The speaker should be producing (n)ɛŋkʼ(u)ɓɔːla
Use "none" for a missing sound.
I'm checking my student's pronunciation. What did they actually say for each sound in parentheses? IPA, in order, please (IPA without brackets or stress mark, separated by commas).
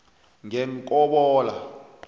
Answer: ŋ, ɔ